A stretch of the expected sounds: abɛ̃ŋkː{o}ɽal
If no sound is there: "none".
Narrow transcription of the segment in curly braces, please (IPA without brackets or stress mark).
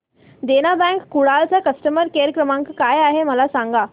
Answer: u